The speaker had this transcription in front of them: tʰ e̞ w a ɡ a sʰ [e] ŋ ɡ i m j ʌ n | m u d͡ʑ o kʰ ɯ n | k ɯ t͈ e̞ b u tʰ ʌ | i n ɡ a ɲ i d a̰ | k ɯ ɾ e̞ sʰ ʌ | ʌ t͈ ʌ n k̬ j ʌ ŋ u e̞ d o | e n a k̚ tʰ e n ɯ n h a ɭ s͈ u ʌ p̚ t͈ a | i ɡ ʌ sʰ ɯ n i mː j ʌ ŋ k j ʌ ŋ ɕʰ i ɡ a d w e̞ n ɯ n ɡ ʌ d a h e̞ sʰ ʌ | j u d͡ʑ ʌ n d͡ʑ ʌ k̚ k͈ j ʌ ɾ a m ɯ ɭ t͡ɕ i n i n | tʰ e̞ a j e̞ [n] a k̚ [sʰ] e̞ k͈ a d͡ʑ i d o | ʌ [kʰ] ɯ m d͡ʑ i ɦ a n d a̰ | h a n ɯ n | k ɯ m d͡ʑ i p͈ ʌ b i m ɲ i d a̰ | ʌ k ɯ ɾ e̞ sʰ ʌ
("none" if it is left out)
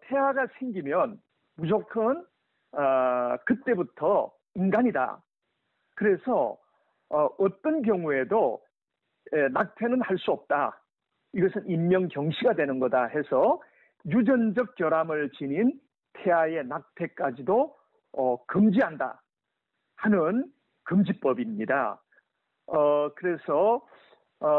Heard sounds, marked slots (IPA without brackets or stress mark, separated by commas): e, n, tʰ, k